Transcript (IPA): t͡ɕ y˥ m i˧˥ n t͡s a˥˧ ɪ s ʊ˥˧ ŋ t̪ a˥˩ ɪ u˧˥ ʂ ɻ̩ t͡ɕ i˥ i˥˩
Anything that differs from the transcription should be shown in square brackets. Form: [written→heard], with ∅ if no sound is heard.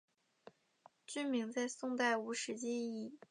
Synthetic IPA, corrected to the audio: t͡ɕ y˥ m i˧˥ [n→ŋ] t͡s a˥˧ ɪ s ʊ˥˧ ŋ t̪ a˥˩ ɪ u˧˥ ʂ ɻ̩ t͡ɕ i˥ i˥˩